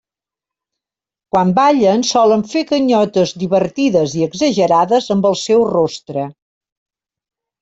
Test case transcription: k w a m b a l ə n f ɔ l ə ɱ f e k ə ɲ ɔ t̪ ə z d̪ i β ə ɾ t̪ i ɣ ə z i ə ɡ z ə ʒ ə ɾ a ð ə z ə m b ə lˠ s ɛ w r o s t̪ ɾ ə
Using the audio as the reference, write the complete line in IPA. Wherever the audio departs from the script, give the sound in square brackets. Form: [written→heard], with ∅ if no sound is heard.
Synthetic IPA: k w a m b a [l→ʎ] ə n [f→s] ɔ l ə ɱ f e k ə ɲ ɔ t̪ ə z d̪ i β ə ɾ t̪ i [ɣ→ð] ə z i ə ɡ z ə ʒ ə ɾ a ð ə z ə m b ə lˠ s ɛ w r o s t̪ ɾ ə